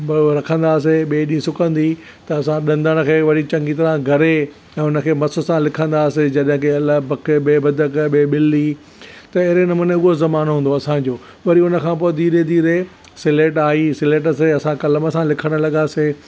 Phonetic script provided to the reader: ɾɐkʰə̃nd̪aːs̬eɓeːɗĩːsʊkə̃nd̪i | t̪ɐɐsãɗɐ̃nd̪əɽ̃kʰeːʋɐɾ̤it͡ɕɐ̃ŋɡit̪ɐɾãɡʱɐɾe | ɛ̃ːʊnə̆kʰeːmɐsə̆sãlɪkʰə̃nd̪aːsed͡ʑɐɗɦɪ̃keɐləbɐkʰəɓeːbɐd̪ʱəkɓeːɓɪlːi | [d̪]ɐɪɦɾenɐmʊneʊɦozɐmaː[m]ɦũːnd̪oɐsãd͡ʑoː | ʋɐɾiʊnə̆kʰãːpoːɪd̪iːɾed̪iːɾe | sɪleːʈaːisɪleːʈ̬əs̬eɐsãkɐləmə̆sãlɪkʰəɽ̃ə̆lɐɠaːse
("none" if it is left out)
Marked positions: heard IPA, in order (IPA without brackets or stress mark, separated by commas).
t̪, n